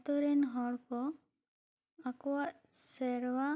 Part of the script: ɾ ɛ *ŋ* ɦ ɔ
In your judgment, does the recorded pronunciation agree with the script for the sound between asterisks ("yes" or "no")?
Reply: no